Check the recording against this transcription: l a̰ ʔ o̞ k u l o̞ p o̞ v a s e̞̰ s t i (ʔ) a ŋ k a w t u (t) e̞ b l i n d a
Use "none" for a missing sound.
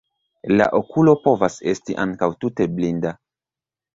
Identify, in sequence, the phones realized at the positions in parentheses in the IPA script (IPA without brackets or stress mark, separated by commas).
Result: ʔ, t